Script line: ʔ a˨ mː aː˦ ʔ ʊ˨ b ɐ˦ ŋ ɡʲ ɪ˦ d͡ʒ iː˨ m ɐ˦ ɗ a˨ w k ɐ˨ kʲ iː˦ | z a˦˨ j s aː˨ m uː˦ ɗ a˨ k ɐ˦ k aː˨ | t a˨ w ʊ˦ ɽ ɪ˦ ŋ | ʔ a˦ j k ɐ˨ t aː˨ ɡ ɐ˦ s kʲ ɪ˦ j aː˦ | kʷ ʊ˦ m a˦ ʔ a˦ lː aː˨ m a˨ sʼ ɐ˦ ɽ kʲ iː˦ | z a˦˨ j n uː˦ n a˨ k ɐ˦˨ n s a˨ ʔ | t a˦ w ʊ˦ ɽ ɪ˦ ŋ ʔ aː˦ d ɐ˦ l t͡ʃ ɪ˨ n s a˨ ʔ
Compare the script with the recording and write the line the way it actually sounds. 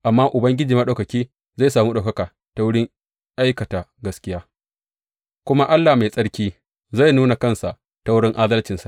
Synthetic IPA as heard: ʔ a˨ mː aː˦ ʔ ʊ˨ b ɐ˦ ŋ ɡʲ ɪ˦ d͡ʒ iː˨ m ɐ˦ ɗ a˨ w k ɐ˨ kʲ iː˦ | z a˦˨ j s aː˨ m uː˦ ɗ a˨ k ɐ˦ k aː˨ | t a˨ w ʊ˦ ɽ ɪ˦ ŋ | ʔ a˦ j k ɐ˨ t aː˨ ɡ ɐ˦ s kʲ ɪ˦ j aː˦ | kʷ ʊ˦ m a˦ ʔ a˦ lː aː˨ m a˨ sʼ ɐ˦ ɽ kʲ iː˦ | z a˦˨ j n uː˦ n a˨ k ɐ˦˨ n s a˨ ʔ | t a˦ w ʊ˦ ɽ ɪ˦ ŋ ʔ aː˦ d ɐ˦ l t͡ʃ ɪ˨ n s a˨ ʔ